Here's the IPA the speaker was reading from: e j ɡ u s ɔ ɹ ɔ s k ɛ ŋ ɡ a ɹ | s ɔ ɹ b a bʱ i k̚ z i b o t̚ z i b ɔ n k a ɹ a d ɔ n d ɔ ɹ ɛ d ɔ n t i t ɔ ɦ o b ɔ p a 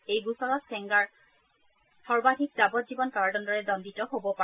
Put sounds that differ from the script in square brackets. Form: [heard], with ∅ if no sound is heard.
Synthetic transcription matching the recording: e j ɡ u s ɔ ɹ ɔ s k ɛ ŋ ɡ a ɹ | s ɔ ɹ b a [dʱ] i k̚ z [a] b [ɔ] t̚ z i b ɔ n k a ɹ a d ɔ n d ɔ ɹ ɛ d ɔ n [d] i t ɔ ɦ o b ɔ p a